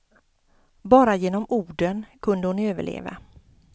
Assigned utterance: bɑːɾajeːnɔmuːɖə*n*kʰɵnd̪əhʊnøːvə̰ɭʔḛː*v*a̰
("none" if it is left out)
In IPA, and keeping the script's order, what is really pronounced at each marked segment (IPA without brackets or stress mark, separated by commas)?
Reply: n, v